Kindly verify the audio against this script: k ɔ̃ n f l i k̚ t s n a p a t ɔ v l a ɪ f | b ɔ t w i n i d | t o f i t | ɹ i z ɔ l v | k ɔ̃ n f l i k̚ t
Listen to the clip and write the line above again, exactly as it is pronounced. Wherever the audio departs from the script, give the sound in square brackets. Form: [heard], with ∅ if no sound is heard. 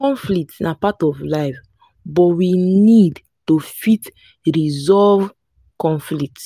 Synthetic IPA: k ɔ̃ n f l i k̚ t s n a p a t ɔ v l a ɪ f | b ɔ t w i n i d | t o f i t | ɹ i z ɔ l v | k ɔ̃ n f l i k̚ t